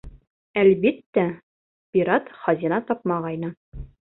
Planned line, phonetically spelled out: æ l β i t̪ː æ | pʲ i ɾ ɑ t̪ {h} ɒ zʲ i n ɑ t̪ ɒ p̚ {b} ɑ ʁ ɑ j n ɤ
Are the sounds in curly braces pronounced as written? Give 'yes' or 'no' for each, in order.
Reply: no, no

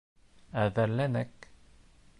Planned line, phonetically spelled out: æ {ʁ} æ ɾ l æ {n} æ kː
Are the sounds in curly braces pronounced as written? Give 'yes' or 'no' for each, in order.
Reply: no, yes

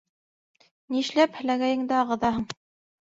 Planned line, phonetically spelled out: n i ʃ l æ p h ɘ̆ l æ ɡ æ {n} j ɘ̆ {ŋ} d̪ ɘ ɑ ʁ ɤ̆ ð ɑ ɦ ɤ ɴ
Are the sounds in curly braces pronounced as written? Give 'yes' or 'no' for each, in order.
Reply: no, yes

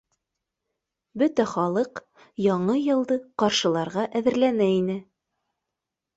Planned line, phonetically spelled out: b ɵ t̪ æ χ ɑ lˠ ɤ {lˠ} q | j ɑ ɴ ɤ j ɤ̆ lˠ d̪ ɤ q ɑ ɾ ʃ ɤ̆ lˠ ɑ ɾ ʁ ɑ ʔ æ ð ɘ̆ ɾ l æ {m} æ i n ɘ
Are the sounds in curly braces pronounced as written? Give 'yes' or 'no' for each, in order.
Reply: no, no

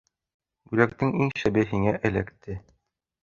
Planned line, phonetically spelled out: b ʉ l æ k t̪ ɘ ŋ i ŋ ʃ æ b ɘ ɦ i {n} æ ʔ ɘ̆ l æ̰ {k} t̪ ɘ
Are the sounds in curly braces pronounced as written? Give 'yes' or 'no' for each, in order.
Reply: no, yes

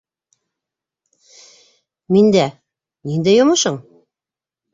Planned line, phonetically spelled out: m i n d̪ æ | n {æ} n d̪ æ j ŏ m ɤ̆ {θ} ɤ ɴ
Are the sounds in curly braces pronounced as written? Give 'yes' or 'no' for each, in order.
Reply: no, no

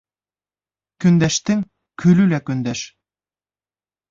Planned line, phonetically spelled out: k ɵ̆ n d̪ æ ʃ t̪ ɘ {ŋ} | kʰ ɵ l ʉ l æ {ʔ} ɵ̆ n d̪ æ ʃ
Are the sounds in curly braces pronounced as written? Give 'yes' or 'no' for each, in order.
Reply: yes, no

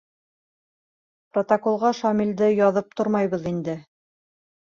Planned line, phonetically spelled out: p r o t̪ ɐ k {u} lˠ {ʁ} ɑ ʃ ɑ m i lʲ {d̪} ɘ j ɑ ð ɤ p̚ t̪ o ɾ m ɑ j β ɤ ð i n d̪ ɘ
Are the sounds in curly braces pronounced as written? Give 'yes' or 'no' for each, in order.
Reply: no, yes, yes

